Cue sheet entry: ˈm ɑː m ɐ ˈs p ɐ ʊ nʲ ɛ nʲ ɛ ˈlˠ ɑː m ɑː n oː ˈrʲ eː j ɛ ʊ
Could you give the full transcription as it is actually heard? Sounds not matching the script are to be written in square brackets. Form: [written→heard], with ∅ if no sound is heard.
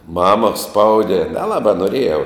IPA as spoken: ˈm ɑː m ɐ ˈs p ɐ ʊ [nʲ→dʲ] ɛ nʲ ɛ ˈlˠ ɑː [m→b] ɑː n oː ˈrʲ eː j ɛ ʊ